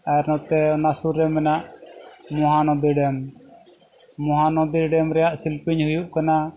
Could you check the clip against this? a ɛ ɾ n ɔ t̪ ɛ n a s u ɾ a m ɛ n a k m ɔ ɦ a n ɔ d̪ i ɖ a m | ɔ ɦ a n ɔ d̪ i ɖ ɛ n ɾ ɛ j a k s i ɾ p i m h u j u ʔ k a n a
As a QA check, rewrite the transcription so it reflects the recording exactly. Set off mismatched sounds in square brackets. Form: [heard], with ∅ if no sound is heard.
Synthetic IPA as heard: a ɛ ɾ n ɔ t̪ ɛ n a s u ɾ [ɛ] m ɛ n a [ʔ] m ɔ ɦ a n ɔ d̪ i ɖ [ɛ] m | ɔ ɦ a n ɔ d̪ i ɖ ɛ [m] ɾ ɛ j a [ʔ] s i [l] p i [ɲ] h u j u ʔ k a n a